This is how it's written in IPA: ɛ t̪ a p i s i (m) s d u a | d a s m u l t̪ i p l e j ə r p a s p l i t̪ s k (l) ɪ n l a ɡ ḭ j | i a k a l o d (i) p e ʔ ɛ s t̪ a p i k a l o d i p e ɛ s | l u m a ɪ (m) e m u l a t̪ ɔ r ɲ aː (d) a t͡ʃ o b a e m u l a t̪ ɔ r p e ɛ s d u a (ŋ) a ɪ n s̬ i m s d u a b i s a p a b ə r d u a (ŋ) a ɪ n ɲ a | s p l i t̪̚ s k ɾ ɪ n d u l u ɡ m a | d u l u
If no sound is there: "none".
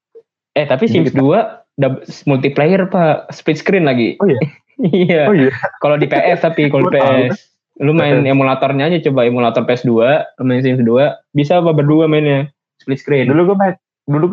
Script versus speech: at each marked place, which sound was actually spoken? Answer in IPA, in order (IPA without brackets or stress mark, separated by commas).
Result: m, ɾ, i, n, d͡ʒ, m, m